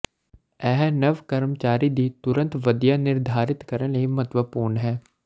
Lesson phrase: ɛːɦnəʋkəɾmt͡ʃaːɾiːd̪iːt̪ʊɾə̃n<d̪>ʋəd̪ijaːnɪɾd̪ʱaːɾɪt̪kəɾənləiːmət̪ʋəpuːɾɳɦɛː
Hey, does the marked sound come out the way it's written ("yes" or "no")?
no